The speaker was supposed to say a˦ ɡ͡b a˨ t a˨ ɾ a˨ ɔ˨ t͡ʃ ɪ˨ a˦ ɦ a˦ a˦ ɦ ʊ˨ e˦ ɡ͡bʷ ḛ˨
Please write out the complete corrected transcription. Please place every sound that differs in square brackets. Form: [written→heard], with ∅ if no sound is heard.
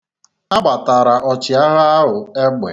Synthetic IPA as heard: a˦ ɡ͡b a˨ t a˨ ɾ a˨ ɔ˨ t͡ʃ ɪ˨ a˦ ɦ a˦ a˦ ɦ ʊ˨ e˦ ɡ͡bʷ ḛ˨